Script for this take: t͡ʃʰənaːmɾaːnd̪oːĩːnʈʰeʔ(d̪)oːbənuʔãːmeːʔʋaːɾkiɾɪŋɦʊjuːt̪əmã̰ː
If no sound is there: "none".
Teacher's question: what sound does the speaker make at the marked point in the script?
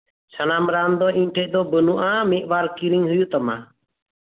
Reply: d̪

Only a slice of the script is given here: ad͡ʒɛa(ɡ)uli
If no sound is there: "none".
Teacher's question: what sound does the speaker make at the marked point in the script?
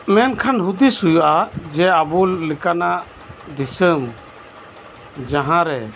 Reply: b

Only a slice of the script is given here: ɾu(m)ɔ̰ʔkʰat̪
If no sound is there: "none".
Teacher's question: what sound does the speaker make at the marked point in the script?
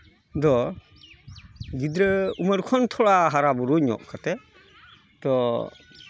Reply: ɲ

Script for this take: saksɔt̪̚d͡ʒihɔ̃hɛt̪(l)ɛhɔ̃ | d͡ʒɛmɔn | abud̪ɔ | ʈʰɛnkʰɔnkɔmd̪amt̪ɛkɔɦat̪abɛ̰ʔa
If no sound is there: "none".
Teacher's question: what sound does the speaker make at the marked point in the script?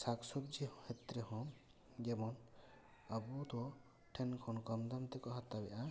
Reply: ɾ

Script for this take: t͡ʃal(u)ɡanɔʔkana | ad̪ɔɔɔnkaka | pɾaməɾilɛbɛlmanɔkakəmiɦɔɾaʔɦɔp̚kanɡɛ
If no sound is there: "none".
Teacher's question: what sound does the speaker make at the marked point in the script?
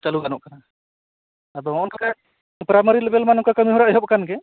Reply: u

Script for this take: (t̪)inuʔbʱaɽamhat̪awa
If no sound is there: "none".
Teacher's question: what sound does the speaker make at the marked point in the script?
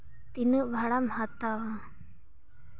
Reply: t̪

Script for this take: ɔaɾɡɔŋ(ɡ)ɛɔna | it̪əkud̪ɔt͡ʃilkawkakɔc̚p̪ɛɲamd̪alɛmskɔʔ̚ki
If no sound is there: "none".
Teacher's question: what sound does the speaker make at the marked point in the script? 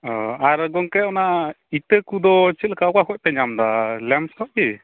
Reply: k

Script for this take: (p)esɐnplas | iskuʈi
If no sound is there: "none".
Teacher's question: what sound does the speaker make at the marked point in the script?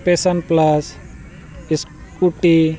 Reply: p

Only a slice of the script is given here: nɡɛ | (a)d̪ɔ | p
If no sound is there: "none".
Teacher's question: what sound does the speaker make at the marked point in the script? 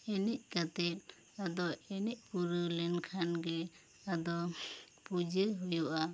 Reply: a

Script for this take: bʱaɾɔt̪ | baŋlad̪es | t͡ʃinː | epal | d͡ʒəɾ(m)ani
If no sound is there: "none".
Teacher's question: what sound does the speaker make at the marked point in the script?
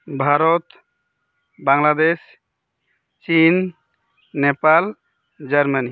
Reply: m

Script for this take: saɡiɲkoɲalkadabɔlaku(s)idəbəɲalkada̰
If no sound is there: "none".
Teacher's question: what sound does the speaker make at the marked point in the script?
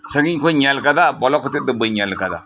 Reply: t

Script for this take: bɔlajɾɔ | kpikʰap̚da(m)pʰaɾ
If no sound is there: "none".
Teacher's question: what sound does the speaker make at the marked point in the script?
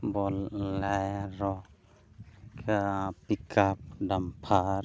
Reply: m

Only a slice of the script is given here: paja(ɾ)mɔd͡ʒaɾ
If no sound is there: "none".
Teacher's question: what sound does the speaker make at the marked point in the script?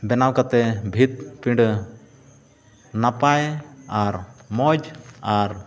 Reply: ɾ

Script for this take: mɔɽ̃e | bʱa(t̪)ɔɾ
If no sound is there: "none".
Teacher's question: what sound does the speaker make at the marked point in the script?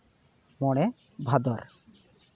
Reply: d̪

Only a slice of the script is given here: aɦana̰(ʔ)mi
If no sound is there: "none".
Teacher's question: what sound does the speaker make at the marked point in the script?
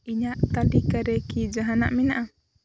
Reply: ʔ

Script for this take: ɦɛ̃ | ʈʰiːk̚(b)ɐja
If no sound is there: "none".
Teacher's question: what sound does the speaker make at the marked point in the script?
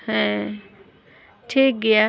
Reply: ɡ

